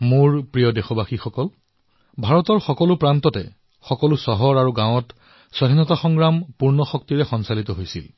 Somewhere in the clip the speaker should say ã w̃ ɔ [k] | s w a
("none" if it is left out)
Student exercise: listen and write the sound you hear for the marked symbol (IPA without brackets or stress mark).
t